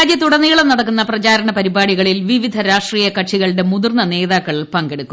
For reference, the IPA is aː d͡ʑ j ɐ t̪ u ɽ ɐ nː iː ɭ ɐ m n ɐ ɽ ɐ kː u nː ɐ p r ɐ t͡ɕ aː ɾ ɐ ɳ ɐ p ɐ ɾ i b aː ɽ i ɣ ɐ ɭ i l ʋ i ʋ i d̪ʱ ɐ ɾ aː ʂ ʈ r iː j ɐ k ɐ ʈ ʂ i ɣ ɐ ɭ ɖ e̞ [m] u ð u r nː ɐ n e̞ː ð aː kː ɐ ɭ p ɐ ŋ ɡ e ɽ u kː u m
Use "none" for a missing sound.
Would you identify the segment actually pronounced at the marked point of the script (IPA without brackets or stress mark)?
m